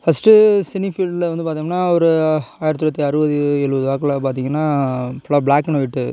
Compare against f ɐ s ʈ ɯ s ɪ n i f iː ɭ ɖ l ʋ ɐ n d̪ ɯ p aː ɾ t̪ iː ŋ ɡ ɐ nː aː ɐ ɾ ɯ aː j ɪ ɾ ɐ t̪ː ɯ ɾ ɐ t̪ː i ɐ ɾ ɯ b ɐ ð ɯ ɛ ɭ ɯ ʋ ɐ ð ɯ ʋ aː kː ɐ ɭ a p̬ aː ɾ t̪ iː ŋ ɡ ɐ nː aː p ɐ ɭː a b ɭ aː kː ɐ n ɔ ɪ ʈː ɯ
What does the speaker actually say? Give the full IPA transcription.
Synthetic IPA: f ɐ s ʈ ɯ s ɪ n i f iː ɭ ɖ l ʋ ɐ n d̪ ɯ p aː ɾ t̪ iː ŋ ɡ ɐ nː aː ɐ ɾ ɯ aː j ɪ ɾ ɐ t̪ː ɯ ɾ ɐ t̪ː i ɐ ɾ ɯ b ɐ ð ɯ ɛ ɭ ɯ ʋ ɐ ð ɯ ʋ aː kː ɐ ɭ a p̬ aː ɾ t̪ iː ŋ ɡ ɐ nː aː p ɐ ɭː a b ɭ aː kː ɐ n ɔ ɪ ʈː ɯ